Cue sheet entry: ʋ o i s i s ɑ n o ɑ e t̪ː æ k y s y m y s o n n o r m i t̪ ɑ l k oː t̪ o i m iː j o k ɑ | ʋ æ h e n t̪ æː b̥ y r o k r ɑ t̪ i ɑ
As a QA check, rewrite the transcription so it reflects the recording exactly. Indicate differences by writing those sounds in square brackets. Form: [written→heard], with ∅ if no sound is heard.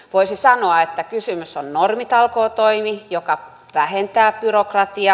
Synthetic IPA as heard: ʋ o i s i s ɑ n o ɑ e t̪ː æ k y s y m y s o n n o r m i t̪ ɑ l k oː t̪ o i m [iː→i] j o k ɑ | ʋ æ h e n t̪ æː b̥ y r o k r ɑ t̪ i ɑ